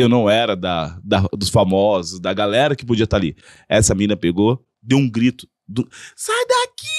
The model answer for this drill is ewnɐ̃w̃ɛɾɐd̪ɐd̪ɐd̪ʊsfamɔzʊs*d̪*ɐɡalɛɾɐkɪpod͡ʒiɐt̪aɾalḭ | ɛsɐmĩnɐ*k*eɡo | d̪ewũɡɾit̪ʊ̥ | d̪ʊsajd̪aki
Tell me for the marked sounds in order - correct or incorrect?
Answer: correct, incorrect

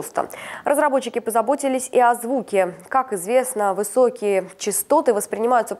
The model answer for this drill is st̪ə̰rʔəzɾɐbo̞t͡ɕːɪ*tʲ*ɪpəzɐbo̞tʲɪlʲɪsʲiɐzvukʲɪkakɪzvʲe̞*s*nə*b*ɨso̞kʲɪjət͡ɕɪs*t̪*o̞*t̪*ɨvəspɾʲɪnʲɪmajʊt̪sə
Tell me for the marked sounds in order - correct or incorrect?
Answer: incorrect, correct, incorrect, correct, correct

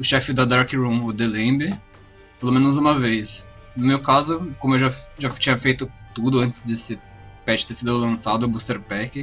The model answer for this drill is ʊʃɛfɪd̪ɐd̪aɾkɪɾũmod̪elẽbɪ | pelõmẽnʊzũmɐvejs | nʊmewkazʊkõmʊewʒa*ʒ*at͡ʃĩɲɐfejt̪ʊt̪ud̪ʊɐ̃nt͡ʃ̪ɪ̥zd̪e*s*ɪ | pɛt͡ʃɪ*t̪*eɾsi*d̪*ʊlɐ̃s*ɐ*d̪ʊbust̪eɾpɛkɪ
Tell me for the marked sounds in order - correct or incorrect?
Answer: correct, correct, correct, correct, incorrect

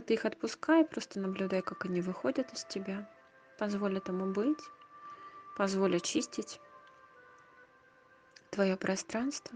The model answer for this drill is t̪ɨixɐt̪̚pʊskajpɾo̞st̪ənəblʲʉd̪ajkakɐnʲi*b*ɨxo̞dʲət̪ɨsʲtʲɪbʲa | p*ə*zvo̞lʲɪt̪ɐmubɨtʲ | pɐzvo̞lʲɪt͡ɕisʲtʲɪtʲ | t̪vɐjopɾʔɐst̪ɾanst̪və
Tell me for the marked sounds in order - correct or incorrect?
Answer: incorrect, incorrect

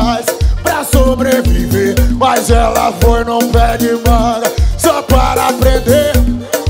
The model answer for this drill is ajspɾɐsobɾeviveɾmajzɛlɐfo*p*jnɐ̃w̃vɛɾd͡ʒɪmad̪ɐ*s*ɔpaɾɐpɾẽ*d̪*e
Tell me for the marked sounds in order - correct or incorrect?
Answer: incorrect, correct, correct

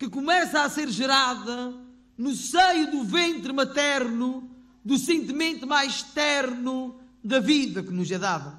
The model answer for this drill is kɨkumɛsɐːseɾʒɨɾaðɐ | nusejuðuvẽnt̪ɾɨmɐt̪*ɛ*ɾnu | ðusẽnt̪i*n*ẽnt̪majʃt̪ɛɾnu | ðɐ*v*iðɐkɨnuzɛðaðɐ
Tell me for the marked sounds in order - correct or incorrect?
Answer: correct, incorrect, correct

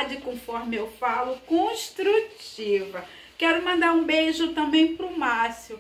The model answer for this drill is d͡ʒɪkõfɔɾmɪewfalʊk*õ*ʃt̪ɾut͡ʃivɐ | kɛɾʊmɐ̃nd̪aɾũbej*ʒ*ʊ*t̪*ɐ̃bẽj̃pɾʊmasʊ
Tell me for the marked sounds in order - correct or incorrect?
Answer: correct, correct, correct

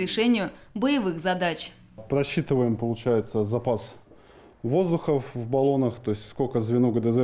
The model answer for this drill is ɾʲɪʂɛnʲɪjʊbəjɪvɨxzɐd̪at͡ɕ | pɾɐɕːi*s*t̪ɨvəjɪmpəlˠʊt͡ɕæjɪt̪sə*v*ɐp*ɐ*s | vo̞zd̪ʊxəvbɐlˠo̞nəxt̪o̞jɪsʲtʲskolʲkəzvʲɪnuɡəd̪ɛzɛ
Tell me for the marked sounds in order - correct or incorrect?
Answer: incorrect, incorrect, incorrect

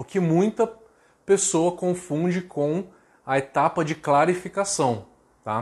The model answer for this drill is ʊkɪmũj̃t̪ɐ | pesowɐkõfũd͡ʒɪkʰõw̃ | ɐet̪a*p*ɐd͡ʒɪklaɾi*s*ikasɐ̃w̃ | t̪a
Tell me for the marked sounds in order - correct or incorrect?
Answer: correct, incorrect

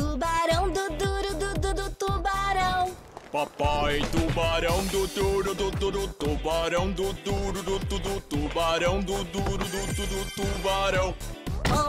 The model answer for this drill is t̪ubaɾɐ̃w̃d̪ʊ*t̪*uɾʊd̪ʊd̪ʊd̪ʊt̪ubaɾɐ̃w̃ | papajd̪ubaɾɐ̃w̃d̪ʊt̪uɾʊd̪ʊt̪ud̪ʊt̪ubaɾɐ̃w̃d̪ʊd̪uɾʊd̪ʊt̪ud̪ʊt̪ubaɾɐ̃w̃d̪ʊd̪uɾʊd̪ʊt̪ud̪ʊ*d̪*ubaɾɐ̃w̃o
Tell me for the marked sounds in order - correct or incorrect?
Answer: incorrect, incorrect

